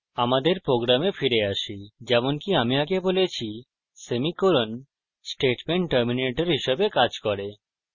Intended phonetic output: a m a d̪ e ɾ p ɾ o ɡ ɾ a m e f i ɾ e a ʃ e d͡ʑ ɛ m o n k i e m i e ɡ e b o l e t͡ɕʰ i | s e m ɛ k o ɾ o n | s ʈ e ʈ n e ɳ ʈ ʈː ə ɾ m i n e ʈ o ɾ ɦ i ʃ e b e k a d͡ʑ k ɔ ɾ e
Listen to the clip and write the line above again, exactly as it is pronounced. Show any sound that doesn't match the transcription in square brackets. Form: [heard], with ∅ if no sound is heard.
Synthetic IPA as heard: a m a d̪ e ɾ p ɾ o ɡ ɾ a m e f i ɾ e a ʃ [i] d͡ʑ ɛ m o n k i [a] m i [a] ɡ e b o l e t͡ɕʰ i | s e m [i] k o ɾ o n | s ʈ e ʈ [m] e ɳ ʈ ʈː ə ɾ m i n e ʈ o ɾ ɦ i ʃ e b e k a d͡ʑ k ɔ ɾ e